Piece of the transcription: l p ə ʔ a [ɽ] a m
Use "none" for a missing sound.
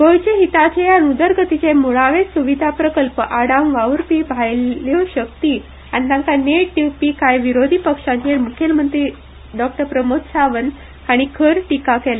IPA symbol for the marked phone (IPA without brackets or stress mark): ɽ